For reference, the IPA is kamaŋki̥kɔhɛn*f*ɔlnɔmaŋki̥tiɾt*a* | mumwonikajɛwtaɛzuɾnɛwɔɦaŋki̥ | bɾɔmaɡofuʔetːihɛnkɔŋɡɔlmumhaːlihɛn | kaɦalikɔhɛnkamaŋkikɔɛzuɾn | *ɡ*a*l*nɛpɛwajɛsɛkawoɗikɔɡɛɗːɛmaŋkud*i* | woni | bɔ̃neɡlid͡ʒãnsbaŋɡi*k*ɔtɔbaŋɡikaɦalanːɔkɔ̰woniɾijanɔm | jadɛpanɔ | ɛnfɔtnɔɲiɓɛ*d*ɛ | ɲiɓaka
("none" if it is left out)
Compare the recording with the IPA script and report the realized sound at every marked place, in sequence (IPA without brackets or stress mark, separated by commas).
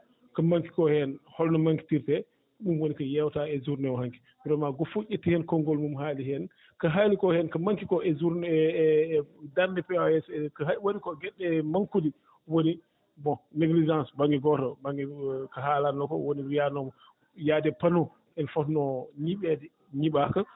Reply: h, ɛ, d, ɾ, i, ɡ, d